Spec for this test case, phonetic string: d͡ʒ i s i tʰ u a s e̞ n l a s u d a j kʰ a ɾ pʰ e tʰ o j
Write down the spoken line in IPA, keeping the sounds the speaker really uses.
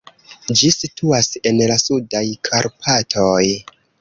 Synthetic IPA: d͡ʒ i s i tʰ u a s e̞ n l a s u d a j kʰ a ɾ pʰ a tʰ o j

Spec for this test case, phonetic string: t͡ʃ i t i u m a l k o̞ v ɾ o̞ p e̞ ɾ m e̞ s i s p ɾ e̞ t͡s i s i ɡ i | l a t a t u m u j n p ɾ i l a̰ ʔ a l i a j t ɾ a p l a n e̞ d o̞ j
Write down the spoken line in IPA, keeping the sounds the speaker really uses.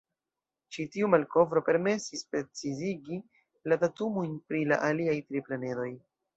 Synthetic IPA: t͡ʃ i t i u m a l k o̞ v ɾ o̞ p e̞ ɾ m e̞ s i s p ɾ e̞ t͡s i z i ɡ i | l a t a t u m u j n p ɾ i l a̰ ʔ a l i a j t ɾ i p l a n e̞ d o̞ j

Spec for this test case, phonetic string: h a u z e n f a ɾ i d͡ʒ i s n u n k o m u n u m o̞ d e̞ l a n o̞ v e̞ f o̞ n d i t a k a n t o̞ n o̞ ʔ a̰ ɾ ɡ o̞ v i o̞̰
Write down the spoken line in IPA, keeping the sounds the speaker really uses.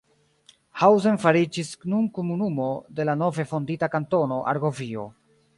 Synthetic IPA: h a w z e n f a ɾ i d͡ʒ i s n u n k o m u n u m o̞ d e̞ l a n o̞ v e̞ f o̞ n d i t a k a n t o̞ n o̞ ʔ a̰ ɾ ɡ o̞ v i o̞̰

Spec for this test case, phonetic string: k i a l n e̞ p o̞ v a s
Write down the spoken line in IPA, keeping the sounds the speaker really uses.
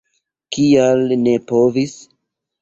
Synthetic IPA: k i a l n e̞ p o̞ v i s

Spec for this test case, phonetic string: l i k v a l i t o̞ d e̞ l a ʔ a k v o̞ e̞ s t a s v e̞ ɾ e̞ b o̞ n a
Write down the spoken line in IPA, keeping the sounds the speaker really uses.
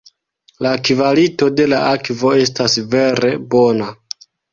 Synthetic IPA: l a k v a l i t o̞ d e̞ l a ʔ a k v o̞ e̞ s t a s v e̞ ɾ e̞ b o̞ n a

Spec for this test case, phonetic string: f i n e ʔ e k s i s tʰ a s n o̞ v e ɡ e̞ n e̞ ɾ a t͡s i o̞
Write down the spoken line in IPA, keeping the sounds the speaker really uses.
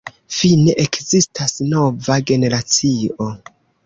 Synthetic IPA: f i n e ʔ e k z i s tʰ a s n o̞ v a ɡ e̞ n e̞ ɾ a t͡s i o̞

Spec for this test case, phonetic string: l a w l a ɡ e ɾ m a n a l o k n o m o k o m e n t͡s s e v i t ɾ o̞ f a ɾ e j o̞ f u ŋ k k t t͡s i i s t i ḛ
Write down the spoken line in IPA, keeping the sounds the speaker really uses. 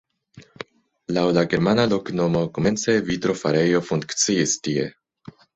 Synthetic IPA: l a w l a ɡ e ɾ m a n a l o k n o m o k o m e n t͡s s e v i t ɾ o̞ f a ɾ e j o̞ f u ŋ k k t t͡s i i s t i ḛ

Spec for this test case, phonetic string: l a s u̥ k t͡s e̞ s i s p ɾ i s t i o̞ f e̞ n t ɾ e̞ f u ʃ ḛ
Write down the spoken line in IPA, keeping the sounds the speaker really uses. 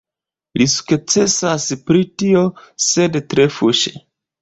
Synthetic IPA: l i s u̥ k t͡s e̞ s a s p ɾ i t i o̞ s e̞ d t ɾ e̞ f u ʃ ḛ

